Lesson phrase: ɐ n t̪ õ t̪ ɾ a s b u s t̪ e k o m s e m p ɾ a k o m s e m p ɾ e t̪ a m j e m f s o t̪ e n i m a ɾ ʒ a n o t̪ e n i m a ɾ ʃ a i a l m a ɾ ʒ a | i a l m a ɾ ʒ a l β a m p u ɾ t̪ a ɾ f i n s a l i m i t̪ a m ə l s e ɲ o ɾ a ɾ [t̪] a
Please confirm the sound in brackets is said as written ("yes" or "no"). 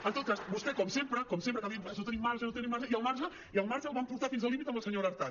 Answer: yes